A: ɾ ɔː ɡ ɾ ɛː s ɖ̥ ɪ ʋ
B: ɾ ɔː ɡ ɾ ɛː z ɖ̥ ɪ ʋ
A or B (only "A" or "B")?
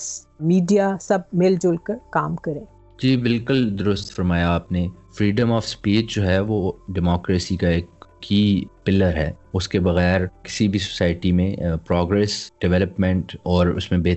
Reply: A